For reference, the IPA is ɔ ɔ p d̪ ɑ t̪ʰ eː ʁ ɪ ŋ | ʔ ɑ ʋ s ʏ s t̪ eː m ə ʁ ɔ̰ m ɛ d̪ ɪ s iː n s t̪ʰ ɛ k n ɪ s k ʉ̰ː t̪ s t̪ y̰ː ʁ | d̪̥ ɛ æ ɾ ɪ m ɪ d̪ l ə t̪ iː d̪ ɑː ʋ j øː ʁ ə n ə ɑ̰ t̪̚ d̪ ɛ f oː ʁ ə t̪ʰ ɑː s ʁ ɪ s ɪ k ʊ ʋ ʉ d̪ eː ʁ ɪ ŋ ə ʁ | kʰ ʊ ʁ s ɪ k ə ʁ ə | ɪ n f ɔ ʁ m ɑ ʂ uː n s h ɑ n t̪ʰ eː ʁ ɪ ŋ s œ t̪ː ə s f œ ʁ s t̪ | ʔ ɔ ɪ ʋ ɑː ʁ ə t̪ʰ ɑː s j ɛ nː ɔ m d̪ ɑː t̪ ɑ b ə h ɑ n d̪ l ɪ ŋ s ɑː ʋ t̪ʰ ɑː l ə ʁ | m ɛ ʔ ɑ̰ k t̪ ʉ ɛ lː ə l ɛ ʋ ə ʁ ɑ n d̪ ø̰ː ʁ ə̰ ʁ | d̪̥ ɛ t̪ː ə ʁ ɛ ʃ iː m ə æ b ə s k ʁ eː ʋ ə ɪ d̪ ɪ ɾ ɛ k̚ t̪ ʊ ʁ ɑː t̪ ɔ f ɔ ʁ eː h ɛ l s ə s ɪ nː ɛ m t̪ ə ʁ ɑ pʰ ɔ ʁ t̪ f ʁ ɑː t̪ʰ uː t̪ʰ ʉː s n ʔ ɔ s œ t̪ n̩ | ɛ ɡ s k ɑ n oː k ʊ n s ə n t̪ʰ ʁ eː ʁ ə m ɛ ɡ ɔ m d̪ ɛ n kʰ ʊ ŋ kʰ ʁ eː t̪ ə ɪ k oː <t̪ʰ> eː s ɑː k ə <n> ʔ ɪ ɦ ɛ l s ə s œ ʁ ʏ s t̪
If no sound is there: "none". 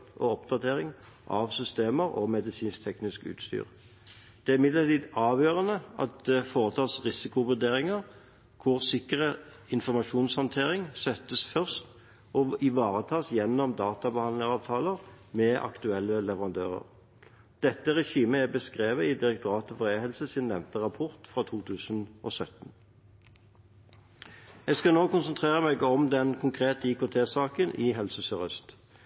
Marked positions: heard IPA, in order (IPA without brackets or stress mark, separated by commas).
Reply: t̪ʰ, n